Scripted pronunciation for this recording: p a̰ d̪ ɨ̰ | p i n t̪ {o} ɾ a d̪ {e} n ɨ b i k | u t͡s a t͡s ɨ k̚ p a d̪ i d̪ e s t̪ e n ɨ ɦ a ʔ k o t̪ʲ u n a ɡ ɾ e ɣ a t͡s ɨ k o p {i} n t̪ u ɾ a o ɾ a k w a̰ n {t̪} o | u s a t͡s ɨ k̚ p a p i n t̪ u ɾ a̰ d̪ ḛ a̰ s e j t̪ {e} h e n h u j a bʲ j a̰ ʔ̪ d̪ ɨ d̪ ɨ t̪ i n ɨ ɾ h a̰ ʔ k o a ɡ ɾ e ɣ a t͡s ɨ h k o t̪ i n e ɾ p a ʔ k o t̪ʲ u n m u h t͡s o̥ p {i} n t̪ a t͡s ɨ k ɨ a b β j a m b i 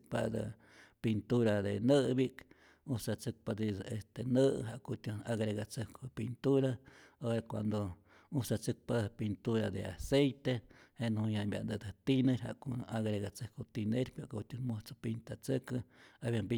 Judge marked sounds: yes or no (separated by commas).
no, yes, yes, no, yes, yes